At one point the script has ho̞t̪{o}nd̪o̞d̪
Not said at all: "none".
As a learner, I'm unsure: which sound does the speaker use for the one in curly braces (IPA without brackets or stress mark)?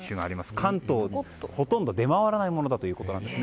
õ